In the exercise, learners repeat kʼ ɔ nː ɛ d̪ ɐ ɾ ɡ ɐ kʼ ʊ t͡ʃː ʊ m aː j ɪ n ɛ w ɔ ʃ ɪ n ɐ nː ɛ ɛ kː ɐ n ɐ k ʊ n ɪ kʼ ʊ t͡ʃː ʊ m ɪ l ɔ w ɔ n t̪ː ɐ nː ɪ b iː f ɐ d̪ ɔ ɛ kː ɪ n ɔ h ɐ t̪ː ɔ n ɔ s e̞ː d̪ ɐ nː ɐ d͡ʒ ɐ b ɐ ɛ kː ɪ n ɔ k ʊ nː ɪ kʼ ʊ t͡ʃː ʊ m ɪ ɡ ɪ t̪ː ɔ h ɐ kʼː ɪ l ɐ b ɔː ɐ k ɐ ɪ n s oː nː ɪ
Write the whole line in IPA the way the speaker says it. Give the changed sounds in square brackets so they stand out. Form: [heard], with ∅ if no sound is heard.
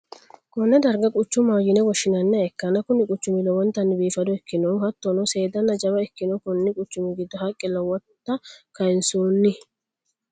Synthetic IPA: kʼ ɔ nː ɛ d̪ ɐ ɾ ɡ ɐ kʼ ʊ t͡ʃː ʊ m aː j ɪ n ɛ w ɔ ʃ ɪ n ɐ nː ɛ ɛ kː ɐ n ɐ k ʊ n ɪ kʼ ʊ t͡ʃː ʊ m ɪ l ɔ w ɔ n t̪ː ɐ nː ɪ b iː f ɐ d̪ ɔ ɛ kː ɪ n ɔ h ɐ t̪ː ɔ n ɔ s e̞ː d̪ ɐ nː ɐ d͡ʒ ɐ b ɐ ɛ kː ɪ n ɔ k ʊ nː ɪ kʼ ʊ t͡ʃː ʊ m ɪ ɡ ɪ [d̪ː] ɔ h ɐ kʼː ɪ l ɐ [w] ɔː ɐ k ɐ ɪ n s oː nː ɪ